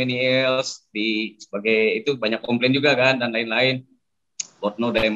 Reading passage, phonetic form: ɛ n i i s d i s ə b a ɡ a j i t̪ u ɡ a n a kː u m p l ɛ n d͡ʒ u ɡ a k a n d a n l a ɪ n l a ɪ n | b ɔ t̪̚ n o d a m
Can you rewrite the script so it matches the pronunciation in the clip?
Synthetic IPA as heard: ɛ n i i s d i s ə b a ɡ a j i t̪ u b a ɲ a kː ɔ m p l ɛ n d͡ʒ u ɡ a k a n d a n l a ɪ n l a ɪ n | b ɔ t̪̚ n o d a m